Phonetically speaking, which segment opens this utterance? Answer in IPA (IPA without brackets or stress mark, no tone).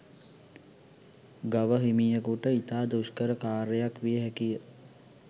ɡ